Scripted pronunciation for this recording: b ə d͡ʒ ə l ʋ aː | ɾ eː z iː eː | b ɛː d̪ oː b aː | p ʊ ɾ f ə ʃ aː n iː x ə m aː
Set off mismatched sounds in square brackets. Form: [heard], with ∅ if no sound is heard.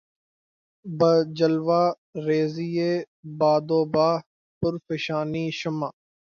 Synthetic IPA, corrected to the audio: b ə d͡ʒ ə l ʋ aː | ɾ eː z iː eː | b [aː] d̪ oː b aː | p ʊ ɾ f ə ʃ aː n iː [ʃ] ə m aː